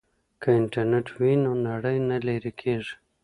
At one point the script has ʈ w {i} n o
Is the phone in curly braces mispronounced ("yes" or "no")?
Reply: no